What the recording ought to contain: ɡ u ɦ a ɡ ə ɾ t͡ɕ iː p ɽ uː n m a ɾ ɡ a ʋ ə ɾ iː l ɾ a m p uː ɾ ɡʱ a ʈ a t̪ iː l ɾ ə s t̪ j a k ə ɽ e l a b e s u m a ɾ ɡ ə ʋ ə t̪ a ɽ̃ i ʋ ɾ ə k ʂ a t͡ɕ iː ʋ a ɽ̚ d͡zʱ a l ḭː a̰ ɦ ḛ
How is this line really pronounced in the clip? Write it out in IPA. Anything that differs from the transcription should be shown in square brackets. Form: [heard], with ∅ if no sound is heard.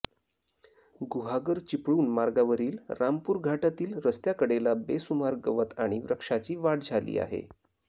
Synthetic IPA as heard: ɡ u ɦ a ɡ ə ɾ t͡ɕ [i] p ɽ uː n m a ɾ ɡ a ʋ ə ɾ iː l ɾ a m p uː ɾ ɡʱ a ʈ a t̪ iː l ɾ ə s t̪ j a k ə ɽ e l a b e s u m a ɾ ɡ ə ʋ ə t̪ a ɽ̃ i ʋ ɾ ə k ʂ a t͡ɕ iː ʋ a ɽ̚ d͡zʱ a l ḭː a̰ ɦ ḛ